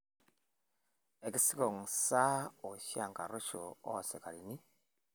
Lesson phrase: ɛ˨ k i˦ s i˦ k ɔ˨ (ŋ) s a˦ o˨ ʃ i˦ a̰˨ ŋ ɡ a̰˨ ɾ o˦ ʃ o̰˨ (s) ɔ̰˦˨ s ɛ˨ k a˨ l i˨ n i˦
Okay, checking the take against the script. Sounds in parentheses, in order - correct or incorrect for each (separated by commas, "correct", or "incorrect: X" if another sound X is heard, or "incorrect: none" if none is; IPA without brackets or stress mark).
correct, incorrect: none